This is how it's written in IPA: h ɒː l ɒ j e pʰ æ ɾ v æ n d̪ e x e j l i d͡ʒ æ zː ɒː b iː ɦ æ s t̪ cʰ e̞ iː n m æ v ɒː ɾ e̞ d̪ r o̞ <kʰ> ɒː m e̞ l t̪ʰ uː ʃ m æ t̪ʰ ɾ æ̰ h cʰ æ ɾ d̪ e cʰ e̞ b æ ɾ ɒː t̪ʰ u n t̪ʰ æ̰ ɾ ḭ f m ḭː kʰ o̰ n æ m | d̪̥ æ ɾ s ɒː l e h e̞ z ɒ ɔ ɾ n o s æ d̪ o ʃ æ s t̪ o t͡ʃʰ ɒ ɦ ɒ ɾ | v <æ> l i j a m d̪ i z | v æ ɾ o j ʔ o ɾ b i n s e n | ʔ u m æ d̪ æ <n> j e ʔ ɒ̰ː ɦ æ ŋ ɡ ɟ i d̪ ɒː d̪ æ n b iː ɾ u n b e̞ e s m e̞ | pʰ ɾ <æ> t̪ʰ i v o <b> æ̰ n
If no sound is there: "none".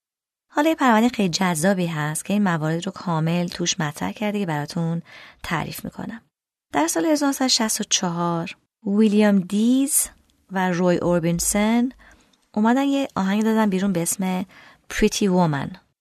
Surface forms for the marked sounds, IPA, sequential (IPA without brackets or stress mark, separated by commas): kʰ, i, n, i, m